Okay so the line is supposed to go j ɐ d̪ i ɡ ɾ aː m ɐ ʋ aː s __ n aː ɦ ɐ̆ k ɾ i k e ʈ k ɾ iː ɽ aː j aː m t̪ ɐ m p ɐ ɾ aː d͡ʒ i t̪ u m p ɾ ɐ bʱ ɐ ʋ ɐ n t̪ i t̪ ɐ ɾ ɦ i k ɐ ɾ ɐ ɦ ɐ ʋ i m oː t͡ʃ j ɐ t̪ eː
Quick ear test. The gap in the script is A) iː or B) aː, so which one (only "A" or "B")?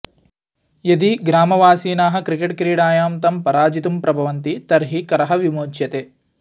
A